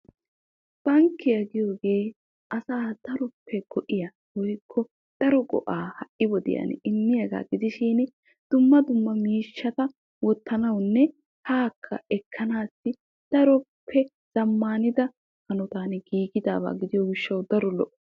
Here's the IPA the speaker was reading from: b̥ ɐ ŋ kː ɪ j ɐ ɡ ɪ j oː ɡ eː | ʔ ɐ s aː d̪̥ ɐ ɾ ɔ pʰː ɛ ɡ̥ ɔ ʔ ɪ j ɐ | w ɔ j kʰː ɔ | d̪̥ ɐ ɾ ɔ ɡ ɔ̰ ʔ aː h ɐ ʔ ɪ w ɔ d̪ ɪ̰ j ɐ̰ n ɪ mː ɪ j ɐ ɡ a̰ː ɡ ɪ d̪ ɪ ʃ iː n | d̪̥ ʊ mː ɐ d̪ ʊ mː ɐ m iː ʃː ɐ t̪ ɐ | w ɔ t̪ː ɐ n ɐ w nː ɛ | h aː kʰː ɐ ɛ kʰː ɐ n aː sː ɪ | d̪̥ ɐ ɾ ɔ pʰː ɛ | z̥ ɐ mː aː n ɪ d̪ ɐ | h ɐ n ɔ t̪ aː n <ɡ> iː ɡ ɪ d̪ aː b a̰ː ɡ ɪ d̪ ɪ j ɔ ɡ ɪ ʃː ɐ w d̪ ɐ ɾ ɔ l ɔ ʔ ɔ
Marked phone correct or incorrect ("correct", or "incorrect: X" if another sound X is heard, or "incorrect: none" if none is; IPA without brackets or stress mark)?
correct